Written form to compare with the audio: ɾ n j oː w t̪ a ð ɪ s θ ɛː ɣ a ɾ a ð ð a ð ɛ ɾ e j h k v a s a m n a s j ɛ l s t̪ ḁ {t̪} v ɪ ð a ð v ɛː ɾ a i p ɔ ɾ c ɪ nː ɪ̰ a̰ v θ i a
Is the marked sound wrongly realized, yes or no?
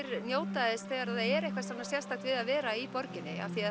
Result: no